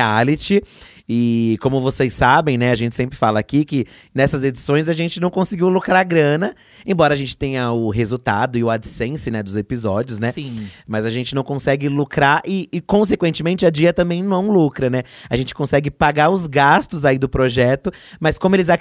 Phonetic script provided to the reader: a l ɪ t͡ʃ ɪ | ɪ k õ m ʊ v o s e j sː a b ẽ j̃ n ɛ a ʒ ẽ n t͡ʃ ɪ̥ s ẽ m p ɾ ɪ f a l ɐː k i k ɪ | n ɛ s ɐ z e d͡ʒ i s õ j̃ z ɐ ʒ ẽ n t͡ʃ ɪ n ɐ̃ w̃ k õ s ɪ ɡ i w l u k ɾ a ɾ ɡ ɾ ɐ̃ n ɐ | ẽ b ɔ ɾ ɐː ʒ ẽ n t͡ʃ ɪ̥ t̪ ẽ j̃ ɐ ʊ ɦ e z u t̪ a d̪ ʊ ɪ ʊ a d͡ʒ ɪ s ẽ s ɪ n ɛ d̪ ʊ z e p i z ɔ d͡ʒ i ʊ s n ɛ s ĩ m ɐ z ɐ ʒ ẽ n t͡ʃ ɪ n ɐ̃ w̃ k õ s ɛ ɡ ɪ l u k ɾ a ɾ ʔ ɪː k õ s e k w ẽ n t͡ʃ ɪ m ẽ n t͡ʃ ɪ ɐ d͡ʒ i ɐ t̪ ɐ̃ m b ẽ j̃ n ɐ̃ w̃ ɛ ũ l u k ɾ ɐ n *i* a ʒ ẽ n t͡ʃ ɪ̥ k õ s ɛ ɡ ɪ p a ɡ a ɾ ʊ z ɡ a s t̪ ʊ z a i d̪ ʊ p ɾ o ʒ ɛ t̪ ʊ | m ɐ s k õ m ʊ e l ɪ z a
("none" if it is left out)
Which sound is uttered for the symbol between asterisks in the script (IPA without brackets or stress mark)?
ɛ